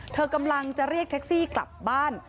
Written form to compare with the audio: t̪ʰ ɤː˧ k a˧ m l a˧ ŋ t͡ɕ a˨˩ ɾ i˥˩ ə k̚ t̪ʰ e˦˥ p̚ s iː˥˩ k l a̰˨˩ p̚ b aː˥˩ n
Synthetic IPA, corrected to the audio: t̪ʰ ɤː˧ k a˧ m l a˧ ŋ t͡ɕ a˨˩ ɾ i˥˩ ə k̚ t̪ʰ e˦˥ k̚ s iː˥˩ k l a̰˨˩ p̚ b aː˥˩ n